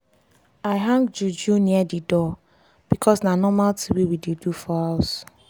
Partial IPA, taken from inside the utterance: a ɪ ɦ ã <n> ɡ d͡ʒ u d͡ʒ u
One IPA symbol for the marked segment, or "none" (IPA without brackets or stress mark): ŋ